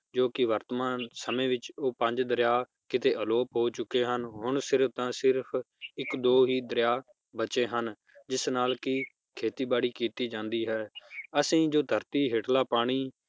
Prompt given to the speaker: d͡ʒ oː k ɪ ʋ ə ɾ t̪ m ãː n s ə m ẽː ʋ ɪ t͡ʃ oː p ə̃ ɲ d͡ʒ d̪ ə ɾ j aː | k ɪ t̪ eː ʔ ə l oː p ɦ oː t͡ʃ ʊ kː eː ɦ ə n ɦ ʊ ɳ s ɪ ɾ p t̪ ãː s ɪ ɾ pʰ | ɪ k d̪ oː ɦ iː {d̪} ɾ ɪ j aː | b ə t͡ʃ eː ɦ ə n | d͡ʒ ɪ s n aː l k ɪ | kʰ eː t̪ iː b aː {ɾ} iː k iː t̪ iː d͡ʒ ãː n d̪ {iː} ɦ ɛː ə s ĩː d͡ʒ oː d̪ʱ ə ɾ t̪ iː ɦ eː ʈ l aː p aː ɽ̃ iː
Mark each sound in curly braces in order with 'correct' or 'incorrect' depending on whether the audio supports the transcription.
correct, incorrect, correct

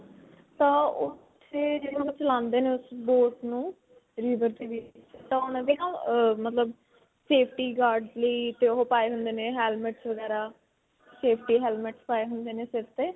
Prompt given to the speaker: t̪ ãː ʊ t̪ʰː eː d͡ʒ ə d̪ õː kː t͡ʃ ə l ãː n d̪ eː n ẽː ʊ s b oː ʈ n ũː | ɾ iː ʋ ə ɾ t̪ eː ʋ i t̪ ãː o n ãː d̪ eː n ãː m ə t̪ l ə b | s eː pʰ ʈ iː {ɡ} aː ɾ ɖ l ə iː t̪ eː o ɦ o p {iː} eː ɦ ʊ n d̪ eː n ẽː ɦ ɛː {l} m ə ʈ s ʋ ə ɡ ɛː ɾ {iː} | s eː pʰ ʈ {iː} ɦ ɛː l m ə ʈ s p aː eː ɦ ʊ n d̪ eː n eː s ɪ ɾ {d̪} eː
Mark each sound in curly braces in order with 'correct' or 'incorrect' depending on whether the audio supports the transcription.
correct, incorrect, correct, incorrect, correct, incorrect

